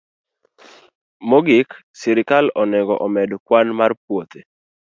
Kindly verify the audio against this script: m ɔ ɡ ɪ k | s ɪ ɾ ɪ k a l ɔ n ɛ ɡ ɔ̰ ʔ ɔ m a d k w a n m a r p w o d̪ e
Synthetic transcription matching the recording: m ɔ ɡ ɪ k | s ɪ ɾ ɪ k a l ɔ n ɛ ɡ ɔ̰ ʔ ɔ m ɛ d k w a n m a r p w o t̪ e